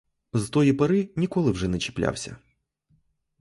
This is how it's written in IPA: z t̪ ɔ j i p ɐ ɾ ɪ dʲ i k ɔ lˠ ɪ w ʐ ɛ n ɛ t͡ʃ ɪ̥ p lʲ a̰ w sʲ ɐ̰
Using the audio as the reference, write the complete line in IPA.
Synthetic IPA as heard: z t̪ ɔ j i p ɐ ɾ ɪ nʲ i k ɔ lˠ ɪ w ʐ ɛ n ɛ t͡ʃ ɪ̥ p lʲ a̰ w sʲ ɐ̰